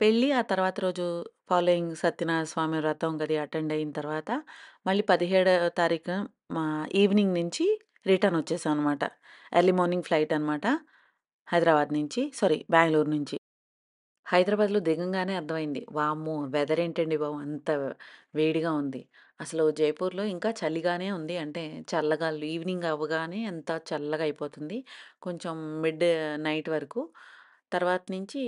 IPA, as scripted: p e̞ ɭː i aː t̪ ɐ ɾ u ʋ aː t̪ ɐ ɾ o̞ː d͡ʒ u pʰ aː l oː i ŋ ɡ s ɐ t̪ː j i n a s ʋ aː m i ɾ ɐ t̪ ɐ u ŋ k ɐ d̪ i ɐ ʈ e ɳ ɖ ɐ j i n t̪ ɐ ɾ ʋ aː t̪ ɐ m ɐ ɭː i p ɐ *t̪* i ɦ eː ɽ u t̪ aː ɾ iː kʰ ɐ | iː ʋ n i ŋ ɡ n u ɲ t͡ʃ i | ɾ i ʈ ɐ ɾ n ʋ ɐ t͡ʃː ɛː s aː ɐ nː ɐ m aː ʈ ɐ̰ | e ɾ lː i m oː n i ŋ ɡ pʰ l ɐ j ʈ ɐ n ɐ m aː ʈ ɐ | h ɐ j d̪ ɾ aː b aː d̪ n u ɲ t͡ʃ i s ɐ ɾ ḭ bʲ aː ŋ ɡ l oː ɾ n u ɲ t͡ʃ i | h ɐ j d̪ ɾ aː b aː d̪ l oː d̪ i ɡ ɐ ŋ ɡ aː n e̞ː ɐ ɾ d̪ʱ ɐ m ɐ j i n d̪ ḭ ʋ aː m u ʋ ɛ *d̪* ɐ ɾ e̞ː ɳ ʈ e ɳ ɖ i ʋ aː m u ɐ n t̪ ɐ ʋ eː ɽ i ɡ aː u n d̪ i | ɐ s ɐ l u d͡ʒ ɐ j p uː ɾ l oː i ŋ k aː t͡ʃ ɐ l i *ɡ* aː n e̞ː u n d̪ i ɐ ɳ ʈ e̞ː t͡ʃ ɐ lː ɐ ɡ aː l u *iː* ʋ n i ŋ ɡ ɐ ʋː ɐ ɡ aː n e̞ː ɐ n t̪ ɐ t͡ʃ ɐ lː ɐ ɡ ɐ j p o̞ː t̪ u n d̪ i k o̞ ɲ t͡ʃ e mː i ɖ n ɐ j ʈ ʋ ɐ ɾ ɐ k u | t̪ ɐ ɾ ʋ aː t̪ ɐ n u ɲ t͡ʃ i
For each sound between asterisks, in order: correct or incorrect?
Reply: incorrect, correct, correct, correct

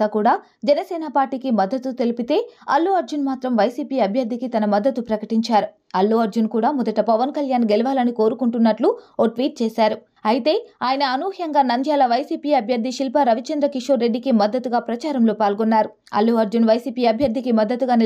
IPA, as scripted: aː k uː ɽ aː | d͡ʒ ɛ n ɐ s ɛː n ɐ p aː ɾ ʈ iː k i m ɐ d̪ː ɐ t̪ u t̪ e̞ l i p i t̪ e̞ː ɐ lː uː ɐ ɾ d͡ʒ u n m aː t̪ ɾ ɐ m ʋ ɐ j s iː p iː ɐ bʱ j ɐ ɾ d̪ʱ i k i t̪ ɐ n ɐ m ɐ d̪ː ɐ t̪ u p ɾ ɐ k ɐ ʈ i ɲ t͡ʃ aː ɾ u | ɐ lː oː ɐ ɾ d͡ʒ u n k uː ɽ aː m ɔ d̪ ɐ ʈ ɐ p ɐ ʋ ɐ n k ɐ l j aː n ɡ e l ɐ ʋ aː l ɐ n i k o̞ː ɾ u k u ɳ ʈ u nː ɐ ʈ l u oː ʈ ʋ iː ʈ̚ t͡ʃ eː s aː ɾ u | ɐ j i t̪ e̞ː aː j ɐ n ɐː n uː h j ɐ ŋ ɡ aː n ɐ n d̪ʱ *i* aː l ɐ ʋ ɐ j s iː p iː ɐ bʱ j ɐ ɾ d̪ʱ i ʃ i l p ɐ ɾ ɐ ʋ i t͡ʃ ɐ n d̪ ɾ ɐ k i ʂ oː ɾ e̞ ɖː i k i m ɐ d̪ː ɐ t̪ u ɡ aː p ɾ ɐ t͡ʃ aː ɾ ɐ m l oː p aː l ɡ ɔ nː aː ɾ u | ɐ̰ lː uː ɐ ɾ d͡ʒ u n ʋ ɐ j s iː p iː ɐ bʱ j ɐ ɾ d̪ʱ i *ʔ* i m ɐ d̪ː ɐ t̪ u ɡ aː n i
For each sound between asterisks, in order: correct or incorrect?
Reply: incorrect, incorrect

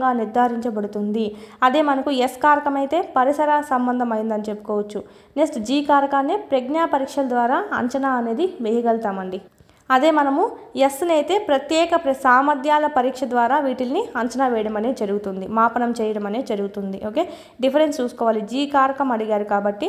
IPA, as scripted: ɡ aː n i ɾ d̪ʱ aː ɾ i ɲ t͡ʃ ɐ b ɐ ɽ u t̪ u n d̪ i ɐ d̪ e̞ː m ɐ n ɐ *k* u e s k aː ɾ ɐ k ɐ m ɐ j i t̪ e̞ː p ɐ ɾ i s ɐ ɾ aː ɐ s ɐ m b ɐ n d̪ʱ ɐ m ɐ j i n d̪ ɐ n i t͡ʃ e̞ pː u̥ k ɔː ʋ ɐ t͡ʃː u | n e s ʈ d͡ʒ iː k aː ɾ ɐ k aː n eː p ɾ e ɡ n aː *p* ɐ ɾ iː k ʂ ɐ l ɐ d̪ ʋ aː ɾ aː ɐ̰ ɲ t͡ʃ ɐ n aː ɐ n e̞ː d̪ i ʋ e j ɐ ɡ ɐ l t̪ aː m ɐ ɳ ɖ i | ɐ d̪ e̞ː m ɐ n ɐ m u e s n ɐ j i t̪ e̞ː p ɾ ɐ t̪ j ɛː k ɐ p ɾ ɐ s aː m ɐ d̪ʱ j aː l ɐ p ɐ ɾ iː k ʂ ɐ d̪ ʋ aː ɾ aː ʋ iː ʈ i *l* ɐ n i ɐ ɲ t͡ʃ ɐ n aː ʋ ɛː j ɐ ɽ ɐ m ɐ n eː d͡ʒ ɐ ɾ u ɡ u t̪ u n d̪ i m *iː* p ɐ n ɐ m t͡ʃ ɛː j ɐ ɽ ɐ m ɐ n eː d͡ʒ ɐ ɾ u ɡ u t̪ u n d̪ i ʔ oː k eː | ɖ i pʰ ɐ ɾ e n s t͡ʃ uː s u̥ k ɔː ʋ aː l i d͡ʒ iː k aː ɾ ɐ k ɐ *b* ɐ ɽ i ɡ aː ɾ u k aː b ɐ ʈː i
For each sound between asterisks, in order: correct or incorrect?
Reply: correct, correct, correct, incorrect, incorrect

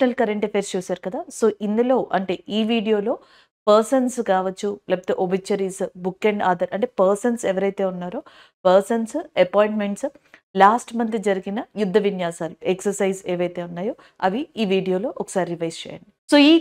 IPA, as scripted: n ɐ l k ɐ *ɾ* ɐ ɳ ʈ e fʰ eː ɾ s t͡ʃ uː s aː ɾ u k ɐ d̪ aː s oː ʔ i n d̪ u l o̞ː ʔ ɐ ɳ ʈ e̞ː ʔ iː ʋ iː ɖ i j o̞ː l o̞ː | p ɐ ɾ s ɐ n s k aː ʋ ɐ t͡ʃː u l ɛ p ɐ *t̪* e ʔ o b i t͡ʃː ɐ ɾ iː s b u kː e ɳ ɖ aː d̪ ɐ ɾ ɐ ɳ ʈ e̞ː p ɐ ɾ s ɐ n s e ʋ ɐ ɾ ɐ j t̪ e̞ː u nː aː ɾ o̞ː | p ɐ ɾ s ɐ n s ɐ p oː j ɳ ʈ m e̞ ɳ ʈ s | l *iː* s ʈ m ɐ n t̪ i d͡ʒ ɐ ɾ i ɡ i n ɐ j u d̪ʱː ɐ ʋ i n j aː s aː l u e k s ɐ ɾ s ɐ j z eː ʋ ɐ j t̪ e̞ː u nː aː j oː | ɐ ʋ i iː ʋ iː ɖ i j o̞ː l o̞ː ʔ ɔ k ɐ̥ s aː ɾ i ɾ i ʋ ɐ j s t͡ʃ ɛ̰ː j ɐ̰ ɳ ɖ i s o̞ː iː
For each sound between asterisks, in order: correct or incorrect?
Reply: correct, correct, incorrect

